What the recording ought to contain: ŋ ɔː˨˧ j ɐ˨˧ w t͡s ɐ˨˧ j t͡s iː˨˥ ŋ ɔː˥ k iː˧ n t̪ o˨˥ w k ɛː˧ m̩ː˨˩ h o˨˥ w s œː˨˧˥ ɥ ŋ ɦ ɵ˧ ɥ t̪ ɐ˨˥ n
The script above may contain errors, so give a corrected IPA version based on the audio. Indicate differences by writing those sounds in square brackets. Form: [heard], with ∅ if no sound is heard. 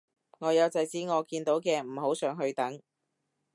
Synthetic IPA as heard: ŋ ɔː˨˧ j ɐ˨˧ w t͡s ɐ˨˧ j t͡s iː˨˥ ŋ [ɔː˨˧] k iː˧ n t̪ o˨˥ w k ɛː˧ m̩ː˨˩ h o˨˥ w s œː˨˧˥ [∅] ŋ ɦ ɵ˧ ɥ t̪ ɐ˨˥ [ŋ]

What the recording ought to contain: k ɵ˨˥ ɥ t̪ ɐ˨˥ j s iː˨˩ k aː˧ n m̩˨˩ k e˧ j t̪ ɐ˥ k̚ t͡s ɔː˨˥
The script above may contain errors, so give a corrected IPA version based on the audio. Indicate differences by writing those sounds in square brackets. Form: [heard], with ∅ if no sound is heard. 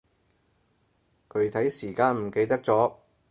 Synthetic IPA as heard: [kʰ] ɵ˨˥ ɥ [t̪ʰ] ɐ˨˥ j s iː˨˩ k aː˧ n m̩˨˩ k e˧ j t̪ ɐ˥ k̚ t͡s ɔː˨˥

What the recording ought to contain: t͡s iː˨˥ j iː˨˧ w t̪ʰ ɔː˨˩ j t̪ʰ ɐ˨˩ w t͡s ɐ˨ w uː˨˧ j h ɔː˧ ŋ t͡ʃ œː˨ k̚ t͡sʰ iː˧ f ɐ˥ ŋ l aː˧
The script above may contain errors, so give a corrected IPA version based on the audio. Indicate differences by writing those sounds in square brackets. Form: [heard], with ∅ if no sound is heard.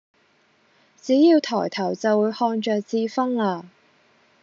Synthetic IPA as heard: t͡s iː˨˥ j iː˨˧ w t̪ʰ ɔː˨˩ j t̪ʰ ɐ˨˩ w t͡s ɐ˨ w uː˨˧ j h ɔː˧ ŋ t͡ʃ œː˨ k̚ [t͡s] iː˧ f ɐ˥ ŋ l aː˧

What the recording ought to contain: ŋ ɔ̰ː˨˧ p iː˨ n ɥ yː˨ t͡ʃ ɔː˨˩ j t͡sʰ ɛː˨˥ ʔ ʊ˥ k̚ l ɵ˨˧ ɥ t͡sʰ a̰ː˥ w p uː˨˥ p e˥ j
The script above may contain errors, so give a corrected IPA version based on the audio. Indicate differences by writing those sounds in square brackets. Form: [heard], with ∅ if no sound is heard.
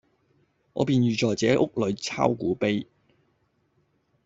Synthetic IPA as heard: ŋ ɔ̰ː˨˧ p iː˨ n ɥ yː˨ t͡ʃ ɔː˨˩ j [t͡s] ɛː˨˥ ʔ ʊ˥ k̚ l ɵ˨˧ ɥ t͡sʰ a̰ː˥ w [k] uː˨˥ p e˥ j

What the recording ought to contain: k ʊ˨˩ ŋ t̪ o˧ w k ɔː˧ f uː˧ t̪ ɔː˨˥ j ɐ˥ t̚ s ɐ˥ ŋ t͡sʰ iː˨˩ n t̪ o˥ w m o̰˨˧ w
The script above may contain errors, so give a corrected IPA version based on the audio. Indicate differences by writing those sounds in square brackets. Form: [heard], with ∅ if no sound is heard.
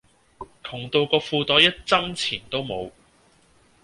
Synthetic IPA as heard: [kʰ] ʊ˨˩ ŋ t̪ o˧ w k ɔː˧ f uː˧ t̪ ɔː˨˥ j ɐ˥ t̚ [t͡s] ɐ˥ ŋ t͡sʰ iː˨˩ n t̪ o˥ w m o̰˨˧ w

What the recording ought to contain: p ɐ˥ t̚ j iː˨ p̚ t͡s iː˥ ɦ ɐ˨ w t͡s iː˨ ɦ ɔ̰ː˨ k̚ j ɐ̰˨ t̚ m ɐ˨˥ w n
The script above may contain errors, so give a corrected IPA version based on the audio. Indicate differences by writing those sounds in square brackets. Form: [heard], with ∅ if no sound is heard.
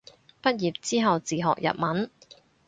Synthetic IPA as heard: p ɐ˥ t̚ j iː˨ p̚ t͡s iː˥ ɦ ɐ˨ w t͡s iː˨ ɦ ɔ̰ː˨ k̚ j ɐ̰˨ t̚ m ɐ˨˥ [∅] n

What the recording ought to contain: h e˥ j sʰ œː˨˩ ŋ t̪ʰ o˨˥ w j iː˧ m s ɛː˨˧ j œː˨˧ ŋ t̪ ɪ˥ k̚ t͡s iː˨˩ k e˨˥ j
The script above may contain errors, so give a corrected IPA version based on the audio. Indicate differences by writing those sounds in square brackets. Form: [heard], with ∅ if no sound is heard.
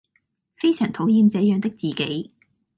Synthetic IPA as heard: [f] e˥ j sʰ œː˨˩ ŋ t̪ʰ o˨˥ w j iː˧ m [t͡s] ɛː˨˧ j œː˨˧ ŋ t̪ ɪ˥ k̚ t͡s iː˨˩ k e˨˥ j

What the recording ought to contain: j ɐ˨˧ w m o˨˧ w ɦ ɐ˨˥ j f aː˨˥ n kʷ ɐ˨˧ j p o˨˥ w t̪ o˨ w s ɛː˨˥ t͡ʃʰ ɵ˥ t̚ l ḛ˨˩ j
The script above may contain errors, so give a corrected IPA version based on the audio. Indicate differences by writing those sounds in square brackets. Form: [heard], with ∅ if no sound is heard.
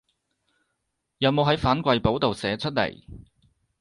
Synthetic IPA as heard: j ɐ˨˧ w m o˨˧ w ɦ ɐ˨˥ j f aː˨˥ n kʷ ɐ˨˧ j p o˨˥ w t̪ o˨ w s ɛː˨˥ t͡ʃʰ ɵ˥ t̚ l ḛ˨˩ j

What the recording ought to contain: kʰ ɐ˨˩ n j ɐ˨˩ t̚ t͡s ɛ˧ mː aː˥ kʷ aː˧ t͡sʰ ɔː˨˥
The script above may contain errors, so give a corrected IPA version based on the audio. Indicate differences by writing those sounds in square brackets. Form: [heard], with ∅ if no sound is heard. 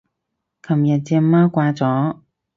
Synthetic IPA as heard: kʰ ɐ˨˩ [m] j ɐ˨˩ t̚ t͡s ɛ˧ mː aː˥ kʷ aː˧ [t͡s] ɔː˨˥

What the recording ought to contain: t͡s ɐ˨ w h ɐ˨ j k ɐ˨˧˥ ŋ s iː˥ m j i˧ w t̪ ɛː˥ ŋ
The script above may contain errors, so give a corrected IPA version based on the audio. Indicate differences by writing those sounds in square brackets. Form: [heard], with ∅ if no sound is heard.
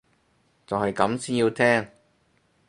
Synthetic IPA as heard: t͡s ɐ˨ w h ɐ˨ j k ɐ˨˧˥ [m] s iː˥ [n] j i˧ w [t̪ʰ] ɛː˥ ŋ

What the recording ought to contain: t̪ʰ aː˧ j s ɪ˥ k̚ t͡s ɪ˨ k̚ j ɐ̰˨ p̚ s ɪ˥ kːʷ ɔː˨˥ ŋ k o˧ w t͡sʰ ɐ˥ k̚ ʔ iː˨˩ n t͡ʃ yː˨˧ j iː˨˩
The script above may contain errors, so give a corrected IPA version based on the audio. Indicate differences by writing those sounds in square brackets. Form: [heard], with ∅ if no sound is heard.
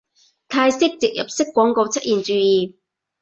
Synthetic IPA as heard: t̪ʰ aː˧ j s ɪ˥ k̚ t͡s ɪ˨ k̚ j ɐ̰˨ p̚ s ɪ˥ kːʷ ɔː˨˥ ŋ k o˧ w t͡sʰ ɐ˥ [t̚] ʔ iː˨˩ n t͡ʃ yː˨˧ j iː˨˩

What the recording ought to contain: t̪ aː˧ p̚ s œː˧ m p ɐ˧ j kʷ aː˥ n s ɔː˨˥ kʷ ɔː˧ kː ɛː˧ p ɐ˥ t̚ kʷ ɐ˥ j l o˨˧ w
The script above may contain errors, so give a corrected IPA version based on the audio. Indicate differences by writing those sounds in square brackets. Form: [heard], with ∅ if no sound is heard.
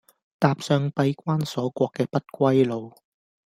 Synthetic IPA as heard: t̪ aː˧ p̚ s œː˧ [ŋ] p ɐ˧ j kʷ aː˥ n s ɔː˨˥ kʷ ɔː˧ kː ɛː˧ p ɐ˥ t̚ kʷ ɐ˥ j l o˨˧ w

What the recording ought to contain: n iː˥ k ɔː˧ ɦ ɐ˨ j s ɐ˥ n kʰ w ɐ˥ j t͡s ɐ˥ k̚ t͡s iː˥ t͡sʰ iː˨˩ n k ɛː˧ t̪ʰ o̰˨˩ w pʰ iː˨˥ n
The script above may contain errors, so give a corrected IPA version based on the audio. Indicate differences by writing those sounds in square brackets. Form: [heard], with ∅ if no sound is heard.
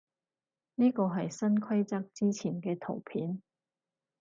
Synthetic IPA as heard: n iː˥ k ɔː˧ ɦ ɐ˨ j s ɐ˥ n kʰ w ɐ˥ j t͡s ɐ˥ k̚ t͡s iː˥ t͡sʰ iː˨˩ n k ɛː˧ t̪ʰ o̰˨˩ w pʰ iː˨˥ n

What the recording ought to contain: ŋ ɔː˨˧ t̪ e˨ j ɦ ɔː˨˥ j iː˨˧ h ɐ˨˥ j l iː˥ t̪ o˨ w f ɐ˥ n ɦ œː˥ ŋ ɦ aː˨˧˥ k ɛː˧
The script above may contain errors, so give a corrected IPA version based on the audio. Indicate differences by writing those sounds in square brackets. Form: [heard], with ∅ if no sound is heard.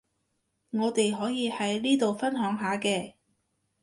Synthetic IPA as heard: ŋ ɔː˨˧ t̪ e˨ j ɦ ɔː˨˥ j iː˨˧ h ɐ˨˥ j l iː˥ t̪ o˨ w f ɐ˥ n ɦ [œː˨˥] ŋ ɦ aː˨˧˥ k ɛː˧

